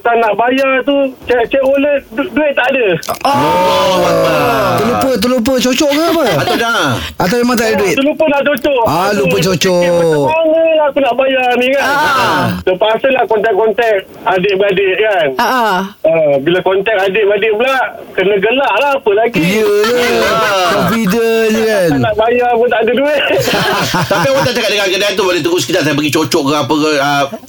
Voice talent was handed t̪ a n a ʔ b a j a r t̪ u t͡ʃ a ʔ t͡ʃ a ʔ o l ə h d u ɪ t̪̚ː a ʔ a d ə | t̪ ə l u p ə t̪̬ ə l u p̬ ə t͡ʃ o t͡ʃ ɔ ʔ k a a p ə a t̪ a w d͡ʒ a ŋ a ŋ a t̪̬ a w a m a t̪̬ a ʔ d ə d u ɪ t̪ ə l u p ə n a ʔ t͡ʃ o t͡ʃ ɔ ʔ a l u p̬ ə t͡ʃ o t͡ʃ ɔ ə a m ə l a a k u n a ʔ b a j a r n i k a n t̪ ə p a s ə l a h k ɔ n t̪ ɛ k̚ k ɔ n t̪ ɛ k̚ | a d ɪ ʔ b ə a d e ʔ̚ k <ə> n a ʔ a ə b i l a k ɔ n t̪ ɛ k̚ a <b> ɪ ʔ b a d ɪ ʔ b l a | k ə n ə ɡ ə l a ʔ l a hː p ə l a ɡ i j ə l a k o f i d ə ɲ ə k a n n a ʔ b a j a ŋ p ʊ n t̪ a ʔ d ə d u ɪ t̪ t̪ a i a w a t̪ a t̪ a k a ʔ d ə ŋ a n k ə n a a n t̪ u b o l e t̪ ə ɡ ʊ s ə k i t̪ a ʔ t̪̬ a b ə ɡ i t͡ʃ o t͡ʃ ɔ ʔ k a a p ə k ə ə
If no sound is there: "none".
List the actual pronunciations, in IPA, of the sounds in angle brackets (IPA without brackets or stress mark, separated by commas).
a, d